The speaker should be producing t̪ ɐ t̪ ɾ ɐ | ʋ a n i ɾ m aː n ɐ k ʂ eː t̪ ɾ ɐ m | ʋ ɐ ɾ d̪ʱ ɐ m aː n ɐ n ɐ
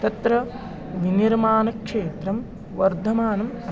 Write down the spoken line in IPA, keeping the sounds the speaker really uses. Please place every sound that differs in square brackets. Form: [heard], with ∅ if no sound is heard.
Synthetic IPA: t̪ ɐ t̪ ɾ ɐ | ʋ [i] n i ɾ m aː n ɐ k ʂ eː t̪ ɾ ɐ m | ʋ ɐ ɾ d̪ʱ ɐ m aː n ɐ [m] ɐ

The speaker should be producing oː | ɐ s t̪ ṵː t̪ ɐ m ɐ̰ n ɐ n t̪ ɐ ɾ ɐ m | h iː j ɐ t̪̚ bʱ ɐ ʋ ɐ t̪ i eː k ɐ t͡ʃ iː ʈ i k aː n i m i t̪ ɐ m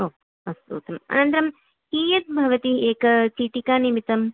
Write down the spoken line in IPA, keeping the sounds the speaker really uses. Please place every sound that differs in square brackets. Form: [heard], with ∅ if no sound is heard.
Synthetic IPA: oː | ɐ s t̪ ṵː t̪ ɐ m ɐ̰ n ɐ n t̪ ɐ ɾ ɐ m | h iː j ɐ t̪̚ bʱ ɐ ʋ ɐ t̪ i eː k ɐ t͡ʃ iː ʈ i k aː n i m i t̪ ɐ m

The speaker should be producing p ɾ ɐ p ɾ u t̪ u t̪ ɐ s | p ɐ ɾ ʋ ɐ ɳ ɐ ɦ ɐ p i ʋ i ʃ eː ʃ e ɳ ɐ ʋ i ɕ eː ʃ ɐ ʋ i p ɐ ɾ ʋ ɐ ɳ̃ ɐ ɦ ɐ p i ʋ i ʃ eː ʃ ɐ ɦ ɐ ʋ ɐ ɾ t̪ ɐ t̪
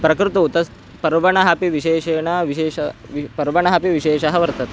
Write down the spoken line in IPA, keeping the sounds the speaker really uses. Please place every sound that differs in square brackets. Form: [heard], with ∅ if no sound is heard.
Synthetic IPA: p ɾ ɐ [k] ɾ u t̪ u t̪ ɐ s | p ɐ ɾ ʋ ɐ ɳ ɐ ɦ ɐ p i ʋ i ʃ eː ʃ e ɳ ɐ ʋ i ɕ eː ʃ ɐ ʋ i p ɐ ɾ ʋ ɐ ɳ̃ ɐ ɦ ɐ p i ʋ i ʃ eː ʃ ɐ ɦ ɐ ʋ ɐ ɾ t̪ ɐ t̪

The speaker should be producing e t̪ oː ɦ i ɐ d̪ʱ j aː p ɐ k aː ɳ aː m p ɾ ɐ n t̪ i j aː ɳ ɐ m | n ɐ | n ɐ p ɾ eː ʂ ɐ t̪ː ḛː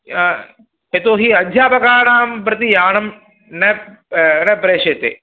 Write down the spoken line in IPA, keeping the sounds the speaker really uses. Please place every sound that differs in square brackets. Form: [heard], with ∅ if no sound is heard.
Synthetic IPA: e t̪ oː ɦ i ɐ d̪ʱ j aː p ɐ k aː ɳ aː m p ɾ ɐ [∅] t̪ i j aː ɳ ɐ m | n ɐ | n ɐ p ɾ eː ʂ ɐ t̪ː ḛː

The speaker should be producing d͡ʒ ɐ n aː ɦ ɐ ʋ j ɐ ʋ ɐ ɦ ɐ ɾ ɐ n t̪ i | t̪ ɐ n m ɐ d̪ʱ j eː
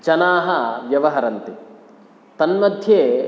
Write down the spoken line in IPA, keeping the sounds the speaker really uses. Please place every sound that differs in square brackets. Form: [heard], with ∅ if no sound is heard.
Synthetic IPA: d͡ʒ ɐ n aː ɦ ɐ ʋ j ɐ ʋ ɐ ɦ ɐ ɾ ɐ n t̪ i | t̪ ɐ n m ɐ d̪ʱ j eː

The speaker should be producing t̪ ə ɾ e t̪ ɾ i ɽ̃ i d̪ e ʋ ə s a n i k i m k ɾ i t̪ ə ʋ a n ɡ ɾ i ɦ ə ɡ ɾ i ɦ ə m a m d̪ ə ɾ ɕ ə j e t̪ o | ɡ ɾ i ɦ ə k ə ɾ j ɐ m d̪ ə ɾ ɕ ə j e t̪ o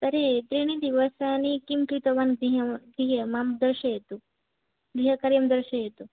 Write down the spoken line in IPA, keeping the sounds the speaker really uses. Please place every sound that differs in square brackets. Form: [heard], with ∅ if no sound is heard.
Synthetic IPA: t̪ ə ɾ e t̪ ɾ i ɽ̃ i d̪ [i] ʋ ə s a n i k i m k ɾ i t̪ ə ʋ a n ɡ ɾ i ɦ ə ɡ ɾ i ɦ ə m a m d̪ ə ɾ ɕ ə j e t̪ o | ɡ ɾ i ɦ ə k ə ɾ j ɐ m d̪ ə ɾ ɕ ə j e t̪ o

